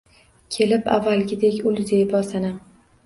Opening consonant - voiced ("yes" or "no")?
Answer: no